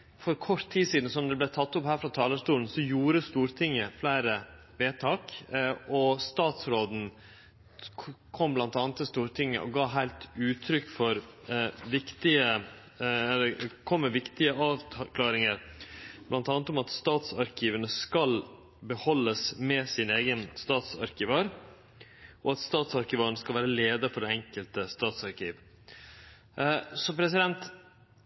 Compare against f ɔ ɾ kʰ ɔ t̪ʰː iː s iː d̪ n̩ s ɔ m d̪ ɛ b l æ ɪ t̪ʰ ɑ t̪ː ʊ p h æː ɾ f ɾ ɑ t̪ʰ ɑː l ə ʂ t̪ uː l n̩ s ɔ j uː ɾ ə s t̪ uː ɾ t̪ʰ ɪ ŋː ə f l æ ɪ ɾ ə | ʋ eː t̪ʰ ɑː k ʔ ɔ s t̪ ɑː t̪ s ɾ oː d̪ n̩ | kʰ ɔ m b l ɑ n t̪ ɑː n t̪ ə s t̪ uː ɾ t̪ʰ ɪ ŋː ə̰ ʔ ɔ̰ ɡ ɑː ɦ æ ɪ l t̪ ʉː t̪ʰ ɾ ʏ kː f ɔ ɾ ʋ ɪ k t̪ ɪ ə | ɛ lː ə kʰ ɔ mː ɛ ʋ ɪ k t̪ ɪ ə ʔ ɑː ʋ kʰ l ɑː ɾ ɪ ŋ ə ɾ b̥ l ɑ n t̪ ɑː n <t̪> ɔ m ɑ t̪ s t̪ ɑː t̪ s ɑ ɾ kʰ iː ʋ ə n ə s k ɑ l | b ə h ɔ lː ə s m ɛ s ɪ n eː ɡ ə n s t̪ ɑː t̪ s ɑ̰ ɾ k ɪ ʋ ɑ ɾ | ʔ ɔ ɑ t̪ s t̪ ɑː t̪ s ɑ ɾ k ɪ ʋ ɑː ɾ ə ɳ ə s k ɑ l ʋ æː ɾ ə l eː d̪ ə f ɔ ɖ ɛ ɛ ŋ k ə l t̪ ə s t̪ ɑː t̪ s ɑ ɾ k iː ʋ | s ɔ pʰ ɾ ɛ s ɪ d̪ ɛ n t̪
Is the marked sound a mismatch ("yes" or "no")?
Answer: no